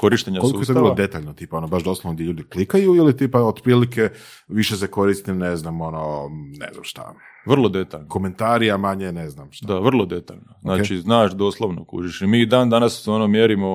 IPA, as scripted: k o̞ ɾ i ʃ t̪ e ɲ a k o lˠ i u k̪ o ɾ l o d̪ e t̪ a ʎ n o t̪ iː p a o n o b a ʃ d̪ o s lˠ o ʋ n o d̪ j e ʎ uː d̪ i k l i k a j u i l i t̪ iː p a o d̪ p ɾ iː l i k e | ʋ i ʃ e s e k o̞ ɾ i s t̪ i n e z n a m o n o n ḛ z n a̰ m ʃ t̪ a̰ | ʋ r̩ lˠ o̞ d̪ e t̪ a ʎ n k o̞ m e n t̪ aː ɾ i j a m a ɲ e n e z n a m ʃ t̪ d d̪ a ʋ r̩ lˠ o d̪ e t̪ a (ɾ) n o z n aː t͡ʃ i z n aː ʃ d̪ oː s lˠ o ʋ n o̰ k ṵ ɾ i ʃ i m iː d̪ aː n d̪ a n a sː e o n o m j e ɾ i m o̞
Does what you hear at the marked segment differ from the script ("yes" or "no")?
yes